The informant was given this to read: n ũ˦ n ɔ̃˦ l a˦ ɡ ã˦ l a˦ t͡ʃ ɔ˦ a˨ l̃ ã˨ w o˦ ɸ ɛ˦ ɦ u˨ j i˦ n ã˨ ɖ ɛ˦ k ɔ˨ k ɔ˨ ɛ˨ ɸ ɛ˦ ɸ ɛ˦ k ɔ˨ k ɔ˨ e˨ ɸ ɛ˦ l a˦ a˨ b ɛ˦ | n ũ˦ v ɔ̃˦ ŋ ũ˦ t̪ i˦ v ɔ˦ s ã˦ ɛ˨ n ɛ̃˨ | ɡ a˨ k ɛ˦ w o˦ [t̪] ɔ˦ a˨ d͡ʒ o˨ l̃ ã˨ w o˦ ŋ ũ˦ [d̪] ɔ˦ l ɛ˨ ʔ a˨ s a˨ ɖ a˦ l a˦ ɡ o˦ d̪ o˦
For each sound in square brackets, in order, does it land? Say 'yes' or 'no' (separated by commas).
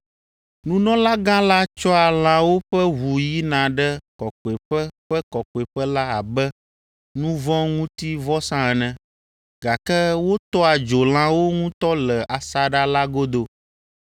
yes, no